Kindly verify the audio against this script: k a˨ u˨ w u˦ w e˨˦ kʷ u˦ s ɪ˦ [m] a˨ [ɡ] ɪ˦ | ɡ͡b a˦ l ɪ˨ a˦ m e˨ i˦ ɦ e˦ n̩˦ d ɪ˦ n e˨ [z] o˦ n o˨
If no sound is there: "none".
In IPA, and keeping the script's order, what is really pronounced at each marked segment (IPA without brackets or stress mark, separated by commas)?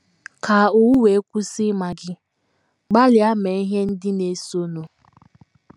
m, ɡ, s